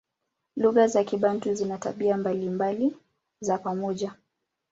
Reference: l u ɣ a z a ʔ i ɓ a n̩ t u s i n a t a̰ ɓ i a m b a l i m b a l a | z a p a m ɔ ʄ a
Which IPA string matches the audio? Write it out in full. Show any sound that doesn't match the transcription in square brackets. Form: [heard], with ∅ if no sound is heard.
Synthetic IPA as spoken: l u ɣ a z a [k] i ɓ a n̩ t u [z] i n a t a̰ ɓ i a m b a l i m b a l [i] | z a p a m ɔ ʄ a